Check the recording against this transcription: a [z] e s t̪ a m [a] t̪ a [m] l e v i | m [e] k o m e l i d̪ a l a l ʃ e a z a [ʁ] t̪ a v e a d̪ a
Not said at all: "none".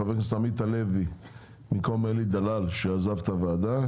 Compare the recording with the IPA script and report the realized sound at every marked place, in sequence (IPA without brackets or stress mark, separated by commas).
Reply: v, i, none, i, v